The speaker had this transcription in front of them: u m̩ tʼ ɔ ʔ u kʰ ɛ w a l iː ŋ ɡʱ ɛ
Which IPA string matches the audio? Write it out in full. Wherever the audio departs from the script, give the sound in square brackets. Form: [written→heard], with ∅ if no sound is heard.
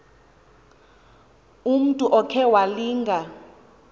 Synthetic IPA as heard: u m̩ tʼ [ɔ→u] ʔ [u→ɔ] kʰ ɛ w a l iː ŋ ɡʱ [ɛ→a]